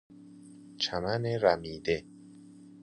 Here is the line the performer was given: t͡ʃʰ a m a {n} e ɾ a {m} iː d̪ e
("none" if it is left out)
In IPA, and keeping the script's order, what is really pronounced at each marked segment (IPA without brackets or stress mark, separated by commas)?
n, m